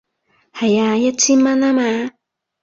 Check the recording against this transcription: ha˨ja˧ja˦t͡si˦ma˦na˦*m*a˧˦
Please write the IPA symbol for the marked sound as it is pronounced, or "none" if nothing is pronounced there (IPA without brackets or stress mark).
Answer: m